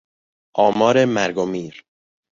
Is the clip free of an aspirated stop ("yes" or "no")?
yes